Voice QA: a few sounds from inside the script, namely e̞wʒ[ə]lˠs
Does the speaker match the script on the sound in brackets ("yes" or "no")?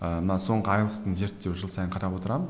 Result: yes